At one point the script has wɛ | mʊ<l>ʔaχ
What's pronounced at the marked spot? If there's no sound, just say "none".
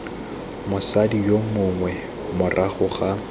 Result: r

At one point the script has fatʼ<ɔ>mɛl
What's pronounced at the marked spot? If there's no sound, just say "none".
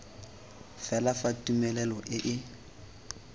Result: u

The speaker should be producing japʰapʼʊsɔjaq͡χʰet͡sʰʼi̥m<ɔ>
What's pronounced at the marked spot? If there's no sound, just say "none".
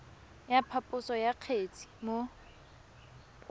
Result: o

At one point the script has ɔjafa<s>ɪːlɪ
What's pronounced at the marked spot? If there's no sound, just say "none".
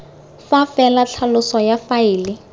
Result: none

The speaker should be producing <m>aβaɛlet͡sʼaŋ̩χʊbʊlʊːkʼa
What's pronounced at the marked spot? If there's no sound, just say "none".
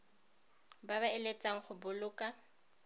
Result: b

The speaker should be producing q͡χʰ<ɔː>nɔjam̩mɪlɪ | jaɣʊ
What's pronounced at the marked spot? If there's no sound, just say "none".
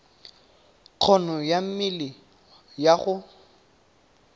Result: ɔ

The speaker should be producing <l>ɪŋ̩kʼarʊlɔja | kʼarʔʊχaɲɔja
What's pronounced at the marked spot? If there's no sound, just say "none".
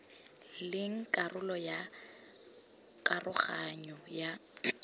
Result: l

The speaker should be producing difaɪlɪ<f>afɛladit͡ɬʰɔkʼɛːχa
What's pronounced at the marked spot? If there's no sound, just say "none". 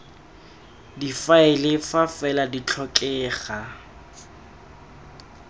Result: f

